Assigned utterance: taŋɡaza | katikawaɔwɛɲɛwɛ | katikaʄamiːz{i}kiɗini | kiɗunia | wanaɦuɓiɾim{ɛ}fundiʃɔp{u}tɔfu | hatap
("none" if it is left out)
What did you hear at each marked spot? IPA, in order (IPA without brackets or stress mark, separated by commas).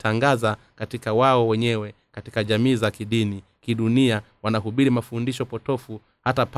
a, a, ɔ